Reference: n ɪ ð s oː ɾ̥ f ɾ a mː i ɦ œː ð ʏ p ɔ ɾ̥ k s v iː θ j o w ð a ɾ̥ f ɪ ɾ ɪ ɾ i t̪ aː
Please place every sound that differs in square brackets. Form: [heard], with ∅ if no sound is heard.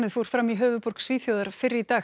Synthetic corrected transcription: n ɪ ð [f] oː ɾ̥ f ɾ a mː i ɦ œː [v] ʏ p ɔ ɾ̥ k s v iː θ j o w ð a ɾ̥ f ɪ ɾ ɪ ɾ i t̪ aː

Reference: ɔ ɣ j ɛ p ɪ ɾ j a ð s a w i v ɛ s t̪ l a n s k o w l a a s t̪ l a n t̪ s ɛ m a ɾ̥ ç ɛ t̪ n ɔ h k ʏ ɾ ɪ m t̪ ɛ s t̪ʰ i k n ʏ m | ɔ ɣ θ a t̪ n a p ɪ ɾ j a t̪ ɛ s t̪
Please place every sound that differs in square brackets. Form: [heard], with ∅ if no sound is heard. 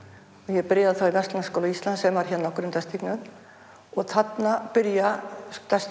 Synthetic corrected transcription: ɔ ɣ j ɛ p ɪ ɾ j a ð [θ] a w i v ɛ s t̪ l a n s k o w l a [i] s t̪ l a n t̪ s ɛ m a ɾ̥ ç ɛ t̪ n ɔ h k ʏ ɾ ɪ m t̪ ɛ s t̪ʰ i k n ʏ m | ɔ ɣ θ a t̪ n a p ɪ ɾ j a t̪ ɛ s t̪

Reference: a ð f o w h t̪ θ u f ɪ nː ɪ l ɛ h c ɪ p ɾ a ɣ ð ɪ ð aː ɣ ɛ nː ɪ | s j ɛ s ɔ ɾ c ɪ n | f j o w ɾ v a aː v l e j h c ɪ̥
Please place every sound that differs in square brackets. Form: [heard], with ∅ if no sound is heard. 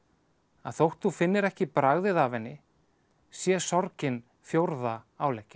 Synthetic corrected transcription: a ð [θ] o w h t̪ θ u f ɪ nː ɪ [ɾ] ɛ h c ɪ p ɾ a ɣ ð ɪ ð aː [v] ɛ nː ɪ | s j ɛ s ɔ ɾ c ɪ n | f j o w ɾ [ð] a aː [w] l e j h c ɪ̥

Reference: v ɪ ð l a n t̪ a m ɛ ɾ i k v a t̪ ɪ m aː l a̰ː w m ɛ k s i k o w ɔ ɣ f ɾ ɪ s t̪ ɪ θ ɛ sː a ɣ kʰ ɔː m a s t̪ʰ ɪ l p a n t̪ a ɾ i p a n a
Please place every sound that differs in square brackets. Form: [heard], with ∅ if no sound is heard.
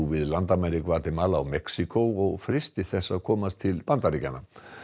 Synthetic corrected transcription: v ɪ ð l a n t̪ a m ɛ ɾ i k v a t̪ ɪ m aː l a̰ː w m ɛ k s i k o w ɔ ɣ f ɾ ɪ s t̪ ɪ θ ɛ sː a [ð] kʰ ɔː m a s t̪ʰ ɪ l p a n t̪ a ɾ i [c] a n a

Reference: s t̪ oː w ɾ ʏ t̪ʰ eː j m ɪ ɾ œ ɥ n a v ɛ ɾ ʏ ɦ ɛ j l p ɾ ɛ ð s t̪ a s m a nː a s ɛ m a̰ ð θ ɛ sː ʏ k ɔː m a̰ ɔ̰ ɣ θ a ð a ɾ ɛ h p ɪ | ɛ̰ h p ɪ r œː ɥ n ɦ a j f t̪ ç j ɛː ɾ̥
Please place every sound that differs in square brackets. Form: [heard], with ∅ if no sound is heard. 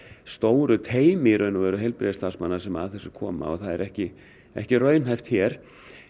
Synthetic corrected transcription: s t̪ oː w ɾ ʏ t̪ʰ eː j m ɪ ɾ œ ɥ n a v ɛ ɾ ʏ ɦ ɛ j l p ɾ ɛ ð s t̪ a s m a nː a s ɛ m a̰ ð θ ɛ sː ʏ [kʰ] ɔː m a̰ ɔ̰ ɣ θ a ð [ɛ] ɾ ɛ h [c] ɪ | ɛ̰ h [c] ɪ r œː ɥ n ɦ a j f t̪ ç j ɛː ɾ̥

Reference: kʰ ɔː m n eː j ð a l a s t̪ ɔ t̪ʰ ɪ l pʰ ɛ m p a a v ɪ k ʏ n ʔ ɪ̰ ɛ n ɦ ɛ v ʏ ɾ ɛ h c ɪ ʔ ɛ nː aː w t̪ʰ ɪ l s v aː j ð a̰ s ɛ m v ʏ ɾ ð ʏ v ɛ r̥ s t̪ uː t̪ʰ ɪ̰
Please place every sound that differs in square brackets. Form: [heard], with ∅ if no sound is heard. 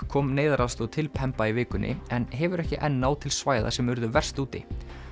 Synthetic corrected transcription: kʰ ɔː m n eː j ð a [ɾ] a s t̪ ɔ t̪ʰ ɪ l pʰ ɛ m p a [i] v [ɪː] k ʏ n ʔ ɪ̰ ɛ n ɦ ɛ v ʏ ɾ ɛ h c ɪ ʔ ɛ nː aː w t̪ʰ ɪ l s v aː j ð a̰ s ɛ m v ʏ ɾ ð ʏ v ɛ r̥ s t̪ uː [t̪] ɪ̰

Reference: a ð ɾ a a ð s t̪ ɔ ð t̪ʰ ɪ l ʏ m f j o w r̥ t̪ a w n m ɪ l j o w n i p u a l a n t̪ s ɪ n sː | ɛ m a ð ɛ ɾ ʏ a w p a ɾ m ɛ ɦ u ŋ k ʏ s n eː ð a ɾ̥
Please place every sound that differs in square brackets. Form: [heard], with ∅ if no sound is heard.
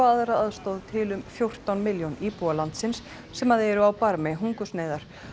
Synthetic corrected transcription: a ð ɾ a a ð s t̪ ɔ ð t̪ʰ ɪ l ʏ m f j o w r̥ t̪ a w n m ɪ l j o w n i p u a l a n t̪ s ɪ n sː | ɛ m a ð ɛ ɾ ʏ a w p a ɾ m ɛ ɦ u ŋ k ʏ s n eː ð a ɾ̥

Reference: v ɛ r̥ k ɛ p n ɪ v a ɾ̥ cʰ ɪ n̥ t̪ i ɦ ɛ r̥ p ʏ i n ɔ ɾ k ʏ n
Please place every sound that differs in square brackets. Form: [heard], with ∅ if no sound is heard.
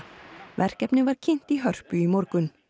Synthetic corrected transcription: v ɛ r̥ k ɛ p n ɪ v a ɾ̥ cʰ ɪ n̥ t̪ i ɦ [œ] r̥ p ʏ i [m] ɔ ɾ k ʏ n

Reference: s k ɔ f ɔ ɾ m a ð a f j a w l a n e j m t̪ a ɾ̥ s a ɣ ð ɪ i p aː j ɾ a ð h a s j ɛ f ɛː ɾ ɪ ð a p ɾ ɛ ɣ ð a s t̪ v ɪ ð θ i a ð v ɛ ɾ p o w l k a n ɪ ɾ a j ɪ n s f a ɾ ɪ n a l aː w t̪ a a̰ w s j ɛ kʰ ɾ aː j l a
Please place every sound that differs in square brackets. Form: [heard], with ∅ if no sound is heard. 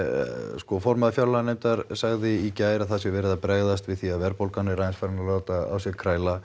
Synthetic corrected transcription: s k ɔ f ɔ ɾ m a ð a f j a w l a n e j m t̪ a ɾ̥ s a ɣ ð ɪ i [c] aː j ɾ a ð [θ] a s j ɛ [v] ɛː ɾ ɪ ð a p ɾ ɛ ɣ ð a s t̪ v ɪ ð θ i a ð v ɛ ɾ p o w l k a n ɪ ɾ a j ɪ n s f a ɾ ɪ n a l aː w t̪ a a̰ w s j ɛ kʰ ɾ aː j l a

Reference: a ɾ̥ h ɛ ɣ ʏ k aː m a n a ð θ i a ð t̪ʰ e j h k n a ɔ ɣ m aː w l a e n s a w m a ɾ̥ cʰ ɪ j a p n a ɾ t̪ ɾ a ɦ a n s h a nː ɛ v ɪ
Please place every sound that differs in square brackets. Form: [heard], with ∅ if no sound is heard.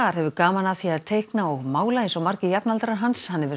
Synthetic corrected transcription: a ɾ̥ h ɛ [v] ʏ k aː m a n a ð θ i a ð t̪ʰ e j h k n a ɔ ɣ m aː w l a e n s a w m a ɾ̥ [c] ɪ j a p n a [l] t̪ ɾ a ɦ a n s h a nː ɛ v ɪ

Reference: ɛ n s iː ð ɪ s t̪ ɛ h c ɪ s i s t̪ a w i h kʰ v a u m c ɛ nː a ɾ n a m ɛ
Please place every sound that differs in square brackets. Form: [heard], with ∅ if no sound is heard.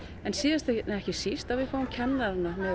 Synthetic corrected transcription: ɛ n s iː ð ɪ s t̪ ɛ h c ɪ s i s t̪ a [v] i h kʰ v a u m [cʰ] ɛ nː a ɾ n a m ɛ

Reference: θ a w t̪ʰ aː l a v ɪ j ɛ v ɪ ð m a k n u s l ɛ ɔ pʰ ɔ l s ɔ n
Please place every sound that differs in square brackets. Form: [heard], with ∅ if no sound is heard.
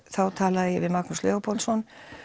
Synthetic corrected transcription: θ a w t̪ʰ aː l a [ð] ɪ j ɛ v ɪ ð m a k n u s l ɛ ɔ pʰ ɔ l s ɔ n

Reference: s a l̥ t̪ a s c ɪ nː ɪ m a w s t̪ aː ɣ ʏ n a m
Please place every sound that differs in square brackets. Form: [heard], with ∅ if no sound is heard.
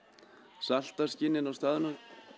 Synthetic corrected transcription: s a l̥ t̪ a s c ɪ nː ɪ [n] a w s t̪ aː [ð] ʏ n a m

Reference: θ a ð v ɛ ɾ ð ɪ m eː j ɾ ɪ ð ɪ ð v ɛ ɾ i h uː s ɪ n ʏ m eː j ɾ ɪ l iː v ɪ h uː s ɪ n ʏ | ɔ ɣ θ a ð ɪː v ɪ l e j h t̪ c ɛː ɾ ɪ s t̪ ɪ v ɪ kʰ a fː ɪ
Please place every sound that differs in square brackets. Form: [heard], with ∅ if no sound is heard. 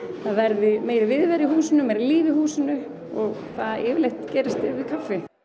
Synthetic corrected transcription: θ a ð v ɛ ɾ ð ɪ m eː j ɾ ɪ [v] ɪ ð v ɛ ɾ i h uː s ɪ n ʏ m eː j ɾ ɪ l iː v ɪ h uː s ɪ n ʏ | ɔ ɣ θ a ð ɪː v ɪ l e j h t̪ c ɛː ɾ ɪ s t̪ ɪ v ɪ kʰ a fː ɪ

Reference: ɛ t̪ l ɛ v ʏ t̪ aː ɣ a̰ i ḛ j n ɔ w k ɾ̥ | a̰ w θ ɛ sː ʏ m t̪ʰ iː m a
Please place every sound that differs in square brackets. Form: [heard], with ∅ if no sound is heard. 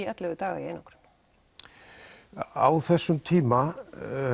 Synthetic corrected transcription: ɛ t̪ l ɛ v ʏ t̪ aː ɣ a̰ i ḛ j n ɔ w k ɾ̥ | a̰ w θ ɛ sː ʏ m t̪ʰ iː m a

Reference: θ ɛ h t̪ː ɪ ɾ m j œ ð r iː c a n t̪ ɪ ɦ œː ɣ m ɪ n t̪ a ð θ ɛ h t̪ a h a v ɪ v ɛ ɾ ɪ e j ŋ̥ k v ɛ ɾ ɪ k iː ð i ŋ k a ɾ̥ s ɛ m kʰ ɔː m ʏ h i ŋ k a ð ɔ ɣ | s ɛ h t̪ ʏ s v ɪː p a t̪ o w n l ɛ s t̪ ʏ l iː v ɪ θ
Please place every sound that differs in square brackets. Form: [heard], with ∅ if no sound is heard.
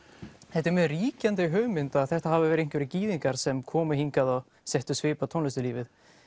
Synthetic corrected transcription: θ ɛ h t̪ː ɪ ɾ m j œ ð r iː c a n t̪ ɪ ɦ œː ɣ m ɪ n t̪ a ð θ ɛ h t̪ a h a v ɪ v ɛ ɾ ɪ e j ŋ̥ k v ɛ ɾ ɪ [c] iː ð i ŋ k a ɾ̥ s ɛ m kʰ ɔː m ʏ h i ŋ k a ð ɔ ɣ | s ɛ h t̪ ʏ s v ɪː p a [t̪ʰ] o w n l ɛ s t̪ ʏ l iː v ɪ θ

